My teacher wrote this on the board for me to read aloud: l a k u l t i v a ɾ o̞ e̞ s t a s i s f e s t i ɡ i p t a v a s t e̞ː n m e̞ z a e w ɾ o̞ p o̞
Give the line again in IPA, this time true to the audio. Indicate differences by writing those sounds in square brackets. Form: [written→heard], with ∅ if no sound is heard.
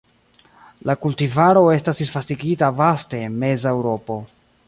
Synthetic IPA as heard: l a k u l t i v a ɾ o̞ e̞ s t a s i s f [e→a] s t i ɡ i [p→∅] t a v a s t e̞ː n m e̞ z a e w ɾ o̞ p o̞